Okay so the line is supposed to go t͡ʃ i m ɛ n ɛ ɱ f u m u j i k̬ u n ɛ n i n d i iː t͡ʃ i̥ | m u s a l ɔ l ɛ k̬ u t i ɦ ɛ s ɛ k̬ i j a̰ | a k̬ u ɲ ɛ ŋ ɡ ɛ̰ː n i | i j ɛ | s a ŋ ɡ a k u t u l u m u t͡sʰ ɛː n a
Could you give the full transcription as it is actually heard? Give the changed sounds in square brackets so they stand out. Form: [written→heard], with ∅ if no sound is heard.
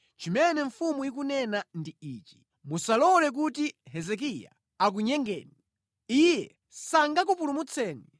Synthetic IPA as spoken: t͡ʃ i m ɛ n ɛ ɱ f u m u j i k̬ u n ɛ n [i→a] n d i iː t͡ʃ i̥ | m u s a l ɔ l ɛ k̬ u t i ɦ ɛ [s→z] ɛ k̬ i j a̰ | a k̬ u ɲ ɛ ŋ ɡ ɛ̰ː n i | i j ɛ | s a ŋ ɡ a k u [t→p] u l u m u t͡sʰ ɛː n [a→i]